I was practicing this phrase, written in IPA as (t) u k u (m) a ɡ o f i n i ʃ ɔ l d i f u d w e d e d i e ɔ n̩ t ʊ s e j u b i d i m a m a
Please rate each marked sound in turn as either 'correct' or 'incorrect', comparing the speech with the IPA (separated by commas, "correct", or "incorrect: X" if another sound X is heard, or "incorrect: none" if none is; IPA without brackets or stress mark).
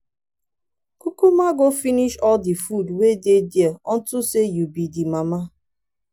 incorrect: k, correct